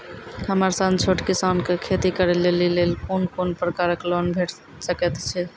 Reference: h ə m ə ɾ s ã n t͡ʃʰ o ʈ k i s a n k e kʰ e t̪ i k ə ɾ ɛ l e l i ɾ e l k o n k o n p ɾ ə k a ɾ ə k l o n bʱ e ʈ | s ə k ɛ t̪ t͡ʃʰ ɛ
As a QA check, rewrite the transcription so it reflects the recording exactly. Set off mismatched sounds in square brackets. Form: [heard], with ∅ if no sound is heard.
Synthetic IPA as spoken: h ə m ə ɾ s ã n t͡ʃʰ o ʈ k i s a n k e kʰ e t̪ i k ə ɾ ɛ l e l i [l] e l k o n k o n p ɾ ə k a ɾ ə k l o n bʱ e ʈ | s ə k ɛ t̪ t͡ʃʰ ɛ